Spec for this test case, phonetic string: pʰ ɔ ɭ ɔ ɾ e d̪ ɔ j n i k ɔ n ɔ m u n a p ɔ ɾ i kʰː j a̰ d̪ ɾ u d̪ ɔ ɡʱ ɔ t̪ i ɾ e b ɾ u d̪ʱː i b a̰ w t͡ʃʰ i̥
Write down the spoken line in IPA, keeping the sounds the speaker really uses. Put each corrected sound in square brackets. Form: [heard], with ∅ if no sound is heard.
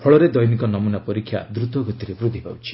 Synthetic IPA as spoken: pʰ ɔ ɭ ɔ ɾ e d̪ ɔ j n i k ɔ n ɔ m u n a p ɔ ɾ i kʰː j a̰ d̪ ɾ u [t̪] ɔ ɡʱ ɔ t̪ i ɾ e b ɾ u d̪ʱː i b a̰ w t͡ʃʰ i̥